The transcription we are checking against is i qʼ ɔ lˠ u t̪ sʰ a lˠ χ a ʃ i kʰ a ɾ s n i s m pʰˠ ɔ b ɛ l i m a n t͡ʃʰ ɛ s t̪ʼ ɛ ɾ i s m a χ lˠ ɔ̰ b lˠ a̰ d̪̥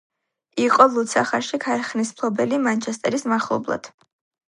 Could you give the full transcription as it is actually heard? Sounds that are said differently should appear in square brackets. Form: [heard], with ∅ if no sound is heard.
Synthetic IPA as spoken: i qʼ ɔ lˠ u t̪ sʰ a [∅] χ a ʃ i kʰ a ɾ [χ] n i s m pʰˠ ɔ b ɛ l i m a n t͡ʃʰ ɛ s t̪ʼ ɛ ɾ i s m a χ lˠ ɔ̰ b lˠ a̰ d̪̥